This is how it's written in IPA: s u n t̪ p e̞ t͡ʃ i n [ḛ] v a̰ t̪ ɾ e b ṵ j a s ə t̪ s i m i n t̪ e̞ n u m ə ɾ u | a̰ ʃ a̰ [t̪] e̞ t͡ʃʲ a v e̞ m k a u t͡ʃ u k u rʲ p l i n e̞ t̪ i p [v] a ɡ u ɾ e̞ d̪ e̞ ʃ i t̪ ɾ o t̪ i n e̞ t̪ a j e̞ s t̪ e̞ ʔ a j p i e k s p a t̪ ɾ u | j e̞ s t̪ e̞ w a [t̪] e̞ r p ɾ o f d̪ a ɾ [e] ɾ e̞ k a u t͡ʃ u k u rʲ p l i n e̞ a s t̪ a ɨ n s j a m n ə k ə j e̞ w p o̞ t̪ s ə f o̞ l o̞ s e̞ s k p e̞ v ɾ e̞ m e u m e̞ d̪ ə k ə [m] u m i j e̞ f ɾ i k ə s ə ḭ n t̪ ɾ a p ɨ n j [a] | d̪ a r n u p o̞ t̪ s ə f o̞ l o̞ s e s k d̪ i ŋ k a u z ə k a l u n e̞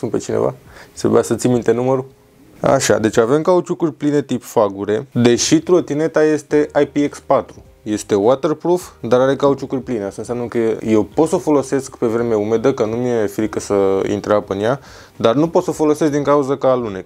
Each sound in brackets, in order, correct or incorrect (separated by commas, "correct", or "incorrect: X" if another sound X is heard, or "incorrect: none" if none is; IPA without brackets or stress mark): correct, incorrect: d̪, incorrect: f, correct, incorrect: a, incorrect: n, correct